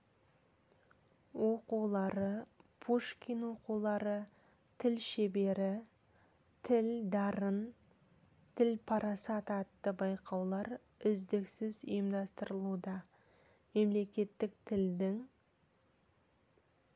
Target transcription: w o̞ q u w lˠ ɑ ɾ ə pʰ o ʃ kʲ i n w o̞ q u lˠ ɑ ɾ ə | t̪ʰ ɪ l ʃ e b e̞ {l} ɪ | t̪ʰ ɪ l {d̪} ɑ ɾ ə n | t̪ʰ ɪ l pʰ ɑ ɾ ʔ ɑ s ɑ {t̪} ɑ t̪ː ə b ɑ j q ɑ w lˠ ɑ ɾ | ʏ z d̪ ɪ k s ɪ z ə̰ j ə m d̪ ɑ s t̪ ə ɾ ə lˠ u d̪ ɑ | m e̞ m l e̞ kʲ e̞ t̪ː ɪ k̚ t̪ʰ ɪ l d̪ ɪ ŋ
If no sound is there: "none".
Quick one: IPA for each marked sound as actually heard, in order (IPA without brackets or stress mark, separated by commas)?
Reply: ɾ, d̪, t̪